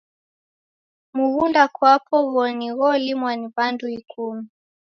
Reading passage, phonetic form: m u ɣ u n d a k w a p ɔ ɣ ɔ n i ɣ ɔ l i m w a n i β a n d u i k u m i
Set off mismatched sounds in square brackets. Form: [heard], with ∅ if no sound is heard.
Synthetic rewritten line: m u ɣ u n d a k w a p ɔ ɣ ɔ n i ɣ ɔ l i m w a n i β a n d u i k u m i